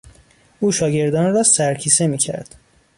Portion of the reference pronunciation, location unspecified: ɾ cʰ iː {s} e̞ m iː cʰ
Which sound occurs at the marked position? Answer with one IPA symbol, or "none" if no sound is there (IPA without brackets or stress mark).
s